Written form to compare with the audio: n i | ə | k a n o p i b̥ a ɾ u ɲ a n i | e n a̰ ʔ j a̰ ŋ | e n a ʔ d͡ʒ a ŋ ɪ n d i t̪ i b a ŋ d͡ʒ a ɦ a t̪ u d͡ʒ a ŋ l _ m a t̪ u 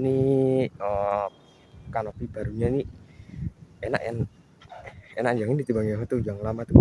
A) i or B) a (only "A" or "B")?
B